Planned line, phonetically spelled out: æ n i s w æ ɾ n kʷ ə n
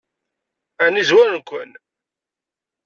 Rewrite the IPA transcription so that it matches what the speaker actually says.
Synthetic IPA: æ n i z w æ ɾ n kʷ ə n